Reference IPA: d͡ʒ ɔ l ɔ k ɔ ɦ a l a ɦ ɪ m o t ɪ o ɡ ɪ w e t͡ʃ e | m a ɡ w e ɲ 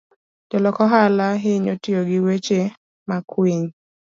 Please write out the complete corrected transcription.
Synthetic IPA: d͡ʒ ɔ l ɔ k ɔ ɦ a l a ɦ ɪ ɲ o t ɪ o ɡ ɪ w e t͡ʃ e | m a k w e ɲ